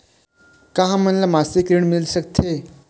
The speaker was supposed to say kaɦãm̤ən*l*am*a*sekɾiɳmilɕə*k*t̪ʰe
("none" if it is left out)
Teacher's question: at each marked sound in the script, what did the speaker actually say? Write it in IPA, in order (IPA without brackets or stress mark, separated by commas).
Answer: l, a, k